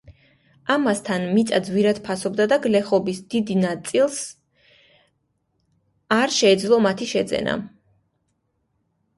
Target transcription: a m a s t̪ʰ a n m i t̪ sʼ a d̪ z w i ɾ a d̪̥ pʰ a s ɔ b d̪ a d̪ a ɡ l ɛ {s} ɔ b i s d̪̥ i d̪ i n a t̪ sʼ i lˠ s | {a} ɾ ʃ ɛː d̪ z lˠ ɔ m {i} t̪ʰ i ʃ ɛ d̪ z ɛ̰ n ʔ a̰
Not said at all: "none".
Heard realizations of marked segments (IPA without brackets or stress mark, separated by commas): χ, a, a